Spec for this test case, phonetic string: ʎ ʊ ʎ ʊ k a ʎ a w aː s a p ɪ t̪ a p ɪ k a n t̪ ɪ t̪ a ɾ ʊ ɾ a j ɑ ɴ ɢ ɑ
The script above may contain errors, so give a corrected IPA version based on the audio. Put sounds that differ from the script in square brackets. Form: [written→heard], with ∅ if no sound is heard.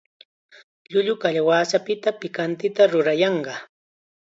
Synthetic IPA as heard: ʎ ʊ ʎ ʊ k a ʎ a w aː s a p ɪ t̪ a p ɪ k a n t̪ ɪ t̪ a ɾ ʊ ɾ a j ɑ ɴ ɢ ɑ